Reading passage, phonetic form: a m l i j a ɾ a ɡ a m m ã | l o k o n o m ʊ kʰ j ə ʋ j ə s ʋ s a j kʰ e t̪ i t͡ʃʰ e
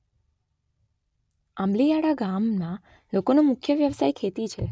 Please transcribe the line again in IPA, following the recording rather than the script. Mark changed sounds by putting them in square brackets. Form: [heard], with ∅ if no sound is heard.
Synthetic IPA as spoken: a m l i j a [ɽ] a ɡ a m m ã | l o k o n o m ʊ kʰ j ə ʋ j ə [∅] ʋ s a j kʰ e t̪ i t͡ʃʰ e